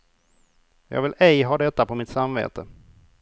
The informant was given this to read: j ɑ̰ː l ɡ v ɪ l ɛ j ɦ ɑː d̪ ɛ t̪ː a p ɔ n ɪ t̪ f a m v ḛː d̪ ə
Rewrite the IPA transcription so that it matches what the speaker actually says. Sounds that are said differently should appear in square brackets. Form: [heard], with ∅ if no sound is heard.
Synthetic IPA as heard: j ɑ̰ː [∅] ɡ v ɪ l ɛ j ɦ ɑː d̪ ɛ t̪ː a p ɔ [m] ɪ t̪ [s] a m v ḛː [t̪] ə